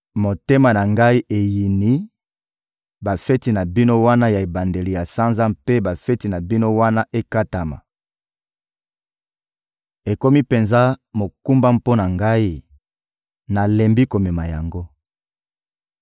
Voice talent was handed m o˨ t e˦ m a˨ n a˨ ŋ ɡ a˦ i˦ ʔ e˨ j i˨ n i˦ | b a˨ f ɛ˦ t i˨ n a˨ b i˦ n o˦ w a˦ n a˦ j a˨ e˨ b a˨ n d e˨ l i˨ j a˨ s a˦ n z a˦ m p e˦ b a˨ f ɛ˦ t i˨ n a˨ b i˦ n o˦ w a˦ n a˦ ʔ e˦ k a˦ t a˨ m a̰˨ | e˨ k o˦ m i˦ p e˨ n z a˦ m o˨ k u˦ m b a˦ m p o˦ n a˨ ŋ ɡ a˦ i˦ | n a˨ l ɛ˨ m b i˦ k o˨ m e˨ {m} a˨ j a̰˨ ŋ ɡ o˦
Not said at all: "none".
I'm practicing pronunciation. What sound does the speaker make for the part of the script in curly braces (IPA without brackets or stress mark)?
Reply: m